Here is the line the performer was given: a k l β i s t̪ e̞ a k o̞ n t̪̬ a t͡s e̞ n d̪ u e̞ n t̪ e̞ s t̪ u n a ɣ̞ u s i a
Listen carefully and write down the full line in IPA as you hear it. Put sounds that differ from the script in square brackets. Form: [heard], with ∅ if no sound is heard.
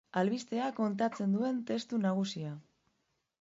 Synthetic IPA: a [∅] l β i s t̪ e̞ a k o̞ n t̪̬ a t͡s e̞ n d̪ u e̞ n t̪ e̞ s t̪ u n a ɣ̞ u s i a